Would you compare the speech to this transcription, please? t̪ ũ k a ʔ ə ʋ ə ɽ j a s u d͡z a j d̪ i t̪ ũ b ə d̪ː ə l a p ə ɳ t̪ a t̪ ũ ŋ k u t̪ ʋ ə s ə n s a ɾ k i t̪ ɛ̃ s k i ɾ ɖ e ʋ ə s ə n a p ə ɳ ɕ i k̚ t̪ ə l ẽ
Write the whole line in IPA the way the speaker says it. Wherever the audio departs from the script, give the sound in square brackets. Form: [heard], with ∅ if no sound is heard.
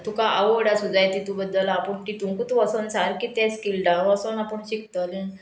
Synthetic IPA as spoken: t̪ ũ k a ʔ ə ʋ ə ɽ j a s u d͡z a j [t̪] i t̪ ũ b ə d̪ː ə l a p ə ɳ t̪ [i] t̪ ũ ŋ k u t̪ ʋ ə s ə n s a ɾ k i t̪ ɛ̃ s k i [l] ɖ [a] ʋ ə s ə n a p ə ɳ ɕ i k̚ t̪ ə l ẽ